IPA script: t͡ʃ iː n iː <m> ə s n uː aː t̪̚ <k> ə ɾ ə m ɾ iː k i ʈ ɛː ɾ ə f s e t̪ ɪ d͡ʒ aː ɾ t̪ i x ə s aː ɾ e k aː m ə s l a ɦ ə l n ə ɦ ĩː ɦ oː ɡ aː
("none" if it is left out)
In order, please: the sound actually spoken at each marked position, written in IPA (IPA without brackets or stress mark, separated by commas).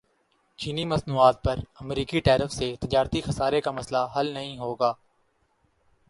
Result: m, p